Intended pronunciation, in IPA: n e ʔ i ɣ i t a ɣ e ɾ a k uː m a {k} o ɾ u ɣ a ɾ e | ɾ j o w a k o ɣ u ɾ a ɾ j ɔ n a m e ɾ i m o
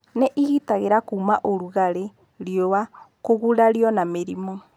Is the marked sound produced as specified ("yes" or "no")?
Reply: no